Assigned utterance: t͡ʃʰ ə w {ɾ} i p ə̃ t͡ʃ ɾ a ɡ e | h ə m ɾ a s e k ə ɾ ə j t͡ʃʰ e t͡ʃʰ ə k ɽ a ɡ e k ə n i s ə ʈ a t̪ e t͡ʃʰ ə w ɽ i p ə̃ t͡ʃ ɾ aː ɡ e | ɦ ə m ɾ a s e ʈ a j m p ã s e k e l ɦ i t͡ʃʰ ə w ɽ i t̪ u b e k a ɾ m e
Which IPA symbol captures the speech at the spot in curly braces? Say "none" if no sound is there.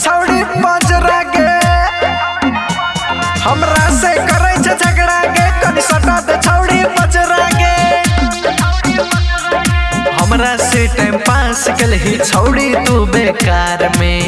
ɽ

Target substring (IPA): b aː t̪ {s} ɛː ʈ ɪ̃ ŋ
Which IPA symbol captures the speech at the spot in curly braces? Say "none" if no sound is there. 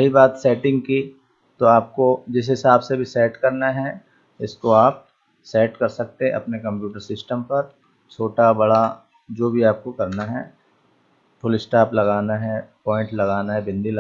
s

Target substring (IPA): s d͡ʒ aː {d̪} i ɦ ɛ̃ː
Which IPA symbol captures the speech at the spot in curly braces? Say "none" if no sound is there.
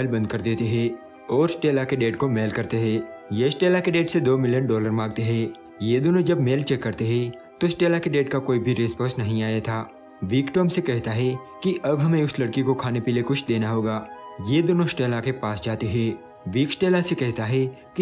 t̪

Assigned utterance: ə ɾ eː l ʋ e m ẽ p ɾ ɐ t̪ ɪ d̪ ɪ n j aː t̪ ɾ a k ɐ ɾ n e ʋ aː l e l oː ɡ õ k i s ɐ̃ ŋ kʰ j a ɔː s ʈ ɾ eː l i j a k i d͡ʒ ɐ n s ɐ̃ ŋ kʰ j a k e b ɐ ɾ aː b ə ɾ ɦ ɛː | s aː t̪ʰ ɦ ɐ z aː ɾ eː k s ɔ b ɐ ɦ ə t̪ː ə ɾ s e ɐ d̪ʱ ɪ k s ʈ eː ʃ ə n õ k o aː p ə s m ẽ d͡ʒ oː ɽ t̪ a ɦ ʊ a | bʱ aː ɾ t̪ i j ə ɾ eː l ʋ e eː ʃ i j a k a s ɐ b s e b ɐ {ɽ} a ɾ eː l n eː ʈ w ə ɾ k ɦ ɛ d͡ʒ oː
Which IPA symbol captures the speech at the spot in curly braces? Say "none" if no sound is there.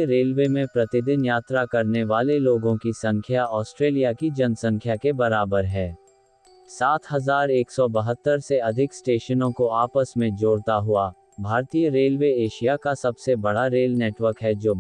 ɽ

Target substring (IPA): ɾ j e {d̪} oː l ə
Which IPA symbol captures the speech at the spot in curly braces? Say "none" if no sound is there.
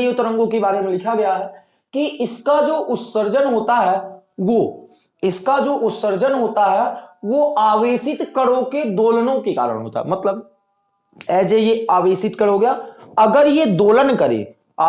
d̪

